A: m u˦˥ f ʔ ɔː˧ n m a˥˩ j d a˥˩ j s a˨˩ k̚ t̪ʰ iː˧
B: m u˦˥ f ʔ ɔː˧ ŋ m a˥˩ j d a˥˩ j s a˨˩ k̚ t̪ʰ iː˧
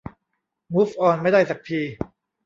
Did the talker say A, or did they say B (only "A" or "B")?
A